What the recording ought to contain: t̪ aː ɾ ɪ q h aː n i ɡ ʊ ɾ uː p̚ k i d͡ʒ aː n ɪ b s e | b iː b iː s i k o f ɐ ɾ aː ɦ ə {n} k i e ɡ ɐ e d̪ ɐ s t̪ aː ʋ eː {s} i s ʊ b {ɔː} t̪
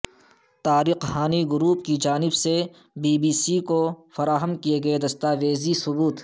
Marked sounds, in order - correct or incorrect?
incorrect, incorrect, incorrect

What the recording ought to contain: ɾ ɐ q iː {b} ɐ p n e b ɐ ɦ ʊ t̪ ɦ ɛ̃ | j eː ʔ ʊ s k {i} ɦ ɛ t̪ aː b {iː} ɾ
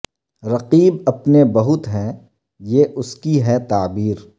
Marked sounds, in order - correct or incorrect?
correct, correct, correct

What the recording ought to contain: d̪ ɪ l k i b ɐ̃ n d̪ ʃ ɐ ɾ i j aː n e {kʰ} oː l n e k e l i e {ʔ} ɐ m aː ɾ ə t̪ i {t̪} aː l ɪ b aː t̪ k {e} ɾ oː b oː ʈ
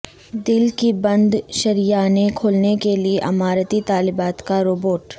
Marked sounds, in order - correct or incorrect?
correct, correct, correct, incorrect

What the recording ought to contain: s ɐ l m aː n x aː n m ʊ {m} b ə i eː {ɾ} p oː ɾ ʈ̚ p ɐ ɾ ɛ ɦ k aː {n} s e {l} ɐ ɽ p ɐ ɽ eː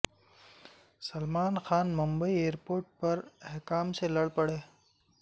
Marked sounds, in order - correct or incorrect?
correct, correct, incorrect, correct

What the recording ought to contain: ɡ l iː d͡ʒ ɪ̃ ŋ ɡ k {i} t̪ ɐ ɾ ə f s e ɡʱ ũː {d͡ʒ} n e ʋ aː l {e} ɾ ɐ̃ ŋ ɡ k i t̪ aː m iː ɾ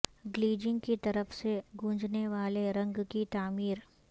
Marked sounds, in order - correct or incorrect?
correct, correct, correct

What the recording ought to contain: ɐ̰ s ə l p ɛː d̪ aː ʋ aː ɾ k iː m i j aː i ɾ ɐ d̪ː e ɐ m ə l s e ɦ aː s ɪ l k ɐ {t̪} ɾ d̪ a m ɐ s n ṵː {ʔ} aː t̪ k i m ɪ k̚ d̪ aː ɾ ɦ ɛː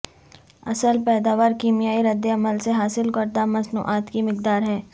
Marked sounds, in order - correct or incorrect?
incorrect, correct

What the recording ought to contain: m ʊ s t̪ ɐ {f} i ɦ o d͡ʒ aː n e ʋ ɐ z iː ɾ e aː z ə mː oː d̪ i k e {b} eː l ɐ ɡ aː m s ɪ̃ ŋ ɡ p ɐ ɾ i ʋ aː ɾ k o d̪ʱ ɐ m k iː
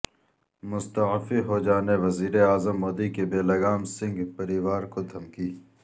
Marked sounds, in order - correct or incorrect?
correct, correct

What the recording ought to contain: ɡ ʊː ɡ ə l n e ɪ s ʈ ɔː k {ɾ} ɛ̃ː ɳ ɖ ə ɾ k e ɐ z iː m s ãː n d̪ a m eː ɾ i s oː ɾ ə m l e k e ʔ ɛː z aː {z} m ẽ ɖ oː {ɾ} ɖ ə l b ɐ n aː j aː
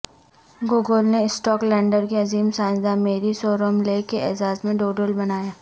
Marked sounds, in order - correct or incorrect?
incorrect, correct, incorrect

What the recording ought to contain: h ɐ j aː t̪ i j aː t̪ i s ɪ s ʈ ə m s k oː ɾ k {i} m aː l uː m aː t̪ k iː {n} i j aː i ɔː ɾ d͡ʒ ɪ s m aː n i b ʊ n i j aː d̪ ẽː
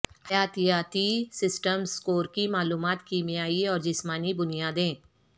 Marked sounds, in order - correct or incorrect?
correct, incorrect

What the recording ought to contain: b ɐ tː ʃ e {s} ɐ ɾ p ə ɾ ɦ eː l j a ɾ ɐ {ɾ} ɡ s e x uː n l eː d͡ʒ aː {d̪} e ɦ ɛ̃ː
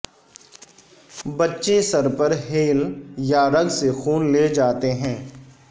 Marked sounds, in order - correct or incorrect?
correct, incorrect, incorrect

